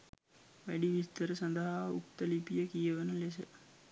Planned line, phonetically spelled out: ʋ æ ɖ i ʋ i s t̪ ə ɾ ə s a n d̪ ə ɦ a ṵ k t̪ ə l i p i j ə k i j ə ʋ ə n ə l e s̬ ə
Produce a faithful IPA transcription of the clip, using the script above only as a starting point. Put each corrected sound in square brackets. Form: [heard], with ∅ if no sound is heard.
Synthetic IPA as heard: ʋ æ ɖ i ʋ i s t̪ ə ɾ ə s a n d̪ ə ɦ a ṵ k t̪ ə l i p i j ə k i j ə ʋ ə n ə l e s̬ ə